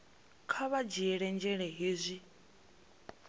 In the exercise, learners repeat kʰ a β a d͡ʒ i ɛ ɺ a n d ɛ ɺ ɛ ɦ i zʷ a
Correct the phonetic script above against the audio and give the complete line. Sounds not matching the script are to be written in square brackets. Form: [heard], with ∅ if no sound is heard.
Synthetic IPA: kʰ a β a d͡ʒ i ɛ ɺ [ɛ] n [d͡ʒ] ɛ ɺ ɛ ɦ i zʷ [i]